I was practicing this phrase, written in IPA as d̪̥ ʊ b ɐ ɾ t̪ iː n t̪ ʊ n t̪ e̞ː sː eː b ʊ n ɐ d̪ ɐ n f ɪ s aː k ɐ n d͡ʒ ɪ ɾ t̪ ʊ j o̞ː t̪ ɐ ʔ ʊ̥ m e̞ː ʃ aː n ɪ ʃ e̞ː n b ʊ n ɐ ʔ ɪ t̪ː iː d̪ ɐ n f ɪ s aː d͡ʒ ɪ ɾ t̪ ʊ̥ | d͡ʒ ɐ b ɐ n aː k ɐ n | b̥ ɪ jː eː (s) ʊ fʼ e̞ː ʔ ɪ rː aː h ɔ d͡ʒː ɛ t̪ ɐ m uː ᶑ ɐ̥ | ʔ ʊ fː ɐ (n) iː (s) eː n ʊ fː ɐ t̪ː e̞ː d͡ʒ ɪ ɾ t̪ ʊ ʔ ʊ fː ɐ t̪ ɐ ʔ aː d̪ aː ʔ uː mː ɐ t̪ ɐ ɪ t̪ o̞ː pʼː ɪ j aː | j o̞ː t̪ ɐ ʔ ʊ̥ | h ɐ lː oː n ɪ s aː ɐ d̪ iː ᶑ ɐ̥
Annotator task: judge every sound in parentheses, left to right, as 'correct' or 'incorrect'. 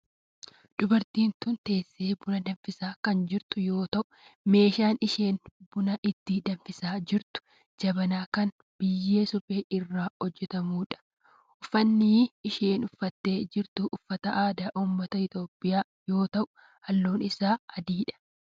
correct, incorrect, incorrect

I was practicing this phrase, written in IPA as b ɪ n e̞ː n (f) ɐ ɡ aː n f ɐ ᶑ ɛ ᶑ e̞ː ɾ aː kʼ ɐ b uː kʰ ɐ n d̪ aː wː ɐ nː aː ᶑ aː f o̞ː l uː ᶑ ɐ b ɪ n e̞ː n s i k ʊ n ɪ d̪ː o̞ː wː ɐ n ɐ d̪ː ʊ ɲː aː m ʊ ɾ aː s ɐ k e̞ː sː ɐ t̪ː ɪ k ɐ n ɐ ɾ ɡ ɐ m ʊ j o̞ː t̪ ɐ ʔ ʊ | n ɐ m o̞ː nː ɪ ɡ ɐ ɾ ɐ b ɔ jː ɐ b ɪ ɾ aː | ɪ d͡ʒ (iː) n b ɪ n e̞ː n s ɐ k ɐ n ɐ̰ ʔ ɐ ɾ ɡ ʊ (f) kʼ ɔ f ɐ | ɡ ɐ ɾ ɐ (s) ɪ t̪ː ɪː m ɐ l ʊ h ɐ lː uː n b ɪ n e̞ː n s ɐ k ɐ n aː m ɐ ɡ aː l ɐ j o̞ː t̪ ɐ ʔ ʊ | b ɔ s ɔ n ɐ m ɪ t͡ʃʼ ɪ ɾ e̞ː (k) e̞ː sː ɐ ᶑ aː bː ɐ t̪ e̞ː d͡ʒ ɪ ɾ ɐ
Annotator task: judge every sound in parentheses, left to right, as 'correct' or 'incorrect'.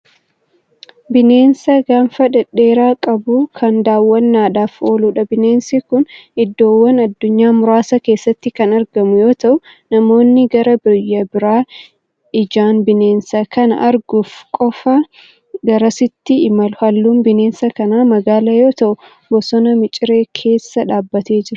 incorrect, incorrect, correct, correct, incorrect

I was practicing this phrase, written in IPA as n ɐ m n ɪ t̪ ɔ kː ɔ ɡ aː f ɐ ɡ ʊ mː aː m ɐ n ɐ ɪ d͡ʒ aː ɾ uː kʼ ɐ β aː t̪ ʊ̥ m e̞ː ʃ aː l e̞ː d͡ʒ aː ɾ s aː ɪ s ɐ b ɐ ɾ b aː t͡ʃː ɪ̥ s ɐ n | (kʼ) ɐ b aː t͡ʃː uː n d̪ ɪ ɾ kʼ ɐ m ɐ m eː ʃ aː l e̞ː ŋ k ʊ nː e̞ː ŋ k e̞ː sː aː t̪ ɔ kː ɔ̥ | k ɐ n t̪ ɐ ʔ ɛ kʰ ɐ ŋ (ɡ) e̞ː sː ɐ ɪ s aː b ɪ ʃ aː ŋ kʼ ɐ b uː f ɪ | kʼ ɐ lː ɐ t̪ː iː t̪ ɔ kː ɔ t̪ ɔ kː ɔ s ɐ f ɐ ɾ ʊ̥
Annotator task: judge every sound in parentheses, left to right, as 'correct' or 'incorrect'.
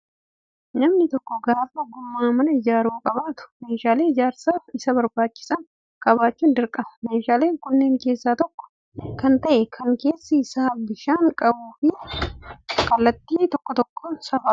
correct, incorrect

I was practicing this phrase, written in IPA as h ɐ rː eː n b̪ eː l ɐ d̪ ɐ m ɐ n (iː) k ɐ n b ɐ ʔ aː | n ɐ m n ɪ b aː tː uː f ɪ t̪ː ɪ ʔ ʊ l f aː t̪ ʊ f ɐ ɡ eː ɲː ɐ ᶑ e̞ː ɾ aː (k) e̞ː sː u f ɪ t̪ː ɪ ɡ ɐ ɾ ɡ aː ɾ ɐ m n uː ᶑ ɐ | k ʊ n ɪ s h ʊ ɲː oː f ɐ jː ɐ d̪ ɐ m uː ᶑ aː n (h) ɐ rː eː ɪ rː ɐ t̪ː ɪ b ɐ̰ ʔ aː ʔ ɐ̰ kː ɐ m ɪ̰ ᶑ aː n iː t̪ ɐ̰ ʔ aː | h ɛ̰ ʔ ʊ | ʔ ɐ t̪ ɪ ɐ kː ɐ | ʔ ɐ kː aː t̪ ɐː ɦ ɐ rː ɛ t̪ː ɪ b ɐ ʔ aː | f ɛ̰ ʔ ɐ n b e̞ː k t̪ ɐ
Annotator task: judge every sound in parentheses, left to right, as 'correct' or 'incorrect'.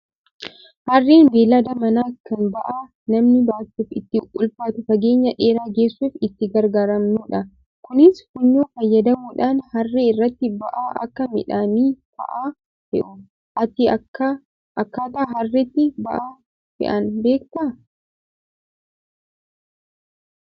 incorrect, incorrect, correct

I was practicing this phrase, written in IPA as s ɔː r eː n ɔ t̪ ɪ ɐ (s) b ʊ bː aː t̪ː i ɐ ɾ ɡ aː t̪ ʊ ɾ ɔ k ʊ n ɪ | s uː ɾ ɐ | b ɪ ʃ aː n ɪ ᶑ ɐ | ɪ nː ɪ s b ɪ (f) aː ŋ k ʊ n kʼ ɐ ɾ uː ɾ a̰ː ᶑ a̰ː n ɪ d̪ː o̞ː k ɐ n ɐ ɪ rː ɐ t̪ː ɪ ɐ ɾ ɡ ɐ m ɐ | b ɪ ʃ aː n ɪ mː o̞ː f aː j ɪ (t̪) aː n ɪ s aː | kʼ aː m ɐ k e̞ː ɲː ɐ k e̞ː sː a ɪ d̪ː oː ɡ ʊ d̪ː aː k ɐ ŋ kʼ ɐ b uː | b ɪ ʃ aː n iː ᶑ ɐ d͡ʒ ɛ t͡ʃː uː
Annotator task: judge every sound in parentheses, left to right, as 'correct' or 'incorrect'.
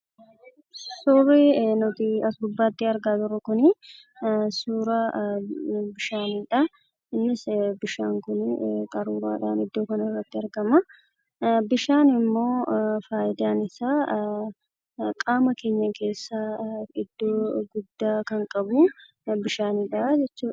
correct, incorrect, incorrect

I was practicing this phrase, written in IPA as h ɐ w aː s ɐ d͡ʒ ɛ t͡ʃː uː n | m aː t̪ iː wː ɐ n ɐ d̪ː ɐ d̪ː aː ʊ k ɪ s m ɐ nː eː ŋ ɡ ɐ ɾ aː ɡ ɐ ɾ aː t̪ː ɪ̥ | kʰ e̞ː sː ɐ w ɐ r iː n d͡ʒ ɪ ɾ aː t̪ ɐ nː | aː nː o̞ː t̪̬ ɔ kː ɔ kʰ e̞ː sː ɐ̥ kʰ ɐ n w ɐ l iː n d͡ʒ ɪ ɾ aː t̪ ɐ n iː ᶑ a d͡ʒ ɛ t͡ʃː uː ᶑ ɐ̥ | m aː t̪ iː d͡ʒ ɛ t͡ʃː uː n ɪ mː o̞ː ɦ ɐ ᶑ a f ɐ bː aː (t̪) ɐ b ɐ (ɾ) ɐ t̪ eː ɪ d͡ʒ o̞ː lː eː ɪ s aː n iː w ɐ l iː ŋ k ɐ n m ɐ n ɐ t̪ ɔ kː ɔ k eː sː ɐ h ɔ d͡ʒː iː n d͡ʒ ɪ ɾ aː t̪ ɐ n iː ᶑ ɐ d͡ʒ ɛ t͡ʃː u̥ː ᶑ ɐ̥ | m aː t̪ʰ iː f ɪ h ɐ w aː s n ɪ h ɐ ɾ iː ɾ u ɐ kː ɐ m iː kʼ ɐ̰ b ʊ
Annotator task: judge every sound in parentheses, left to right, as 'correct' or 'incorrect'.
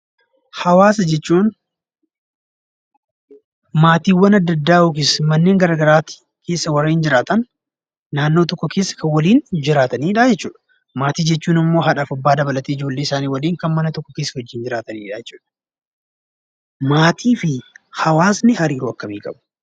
incorrect, incorrect

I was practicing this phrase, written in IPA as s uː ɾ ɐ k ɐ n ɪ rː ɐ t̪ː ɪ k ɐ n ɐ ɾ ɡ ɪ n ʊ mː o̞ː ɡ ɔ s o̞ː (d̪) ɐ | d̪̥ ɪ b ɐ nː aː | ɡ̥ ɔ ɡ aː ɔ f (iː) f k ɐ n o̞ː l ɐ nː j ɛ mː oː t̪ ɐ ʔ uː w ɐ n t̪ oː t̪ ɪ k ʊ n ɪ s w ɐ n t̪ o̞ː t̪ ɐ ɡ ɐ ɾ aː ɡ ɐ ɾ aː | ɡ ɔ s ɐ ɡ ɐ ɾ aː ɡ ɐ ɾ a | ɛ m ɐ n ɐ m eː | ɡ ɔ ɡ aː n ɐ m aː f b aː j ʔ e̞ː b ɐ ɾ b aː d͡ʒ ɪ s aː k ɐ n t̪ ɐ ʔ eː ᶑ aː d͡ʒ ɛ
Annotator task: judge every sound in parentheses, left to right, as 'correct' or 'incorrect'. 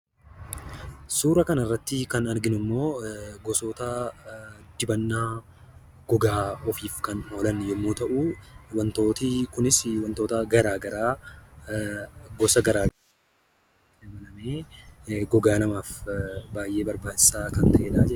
incorrect, correct

